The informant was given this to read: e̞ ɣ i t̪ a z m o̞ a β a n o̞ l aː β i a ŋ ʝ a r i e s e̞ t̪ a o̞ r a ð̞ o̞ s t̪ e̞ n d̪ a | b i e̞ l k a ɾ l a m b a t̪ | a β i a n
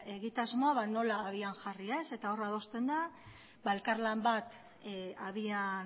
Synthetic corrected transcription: e̞ ɣ i t̪ a z m o̞ a β a n o̞ l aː β i a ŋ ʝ a r i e s e̞ t̪ a o̞ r a ð̞ o̞ s t̪ e̞ n d̪ a | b a e̞ l k a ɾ l a m b a t̪ | a β i a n